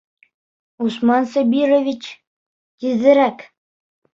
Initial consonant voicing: voiceless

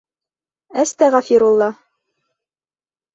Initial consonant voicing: voiceless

